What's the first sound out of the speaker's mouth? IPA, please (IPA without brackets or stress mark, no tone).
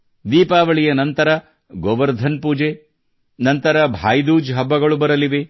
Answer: d̪